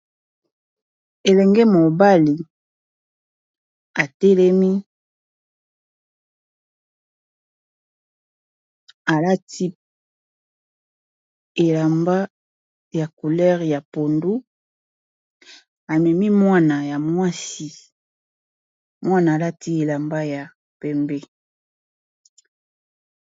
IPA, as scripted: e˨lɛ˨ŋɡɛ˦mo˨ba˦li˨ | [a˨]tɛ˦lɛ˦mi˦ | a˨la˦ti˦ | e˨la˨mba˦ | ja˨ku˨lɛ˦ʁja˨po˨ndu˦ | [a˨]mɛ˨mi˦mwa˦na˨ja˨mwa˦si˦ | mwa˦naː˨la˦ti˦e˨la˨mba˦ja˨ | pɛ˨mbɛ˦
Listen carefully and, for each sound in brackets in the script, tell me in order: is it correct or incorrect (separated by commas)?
correct, correct